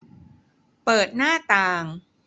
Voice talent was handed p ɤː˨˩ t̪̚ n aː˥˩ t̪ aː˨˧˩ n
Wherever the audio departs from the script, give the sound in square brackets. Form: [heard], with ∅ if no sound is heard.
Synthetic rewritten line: p ɤː˨˩ t̪̚ n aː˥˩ t̪ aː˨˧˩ [ŋ]